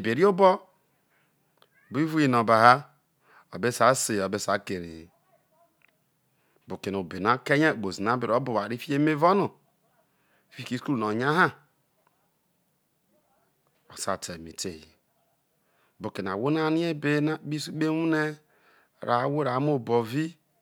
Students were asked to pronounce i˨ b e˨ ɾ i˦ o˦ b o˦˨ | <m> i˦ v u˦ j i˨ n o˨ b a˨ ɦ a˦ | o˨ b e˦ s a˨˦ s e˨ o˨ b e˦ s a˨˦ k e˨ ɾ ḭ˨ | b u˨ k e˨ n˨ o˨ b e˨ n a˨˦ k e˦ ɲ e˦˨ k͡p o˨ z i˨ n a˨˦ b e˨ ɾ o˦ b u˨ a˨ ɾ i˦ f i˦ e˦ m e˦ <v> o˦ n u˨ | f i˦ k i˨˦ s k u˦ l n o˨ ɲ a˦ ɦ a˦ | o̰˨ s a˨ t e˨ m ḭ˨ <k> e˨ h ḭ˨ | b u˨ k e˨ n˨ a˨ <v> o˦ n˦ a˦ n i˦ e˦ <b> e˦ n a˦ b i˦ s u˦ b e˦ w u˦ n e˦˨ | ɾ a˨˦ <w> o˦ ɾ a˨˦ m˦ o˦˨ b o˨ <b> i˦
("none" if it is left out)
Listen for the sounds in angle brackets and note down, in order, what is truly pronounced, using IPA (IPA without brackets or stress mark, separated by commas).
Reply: b, v, t, w, b, w, v